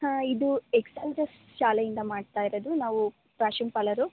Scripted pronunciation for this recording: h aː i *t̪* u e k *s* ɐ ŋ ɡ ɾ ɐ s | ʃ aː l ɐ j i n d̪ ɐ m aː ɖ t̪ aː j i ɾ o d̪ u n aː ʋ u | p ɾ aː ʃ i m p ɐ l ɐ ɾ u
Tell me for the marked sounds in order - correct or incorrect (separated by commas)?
incorrect, correct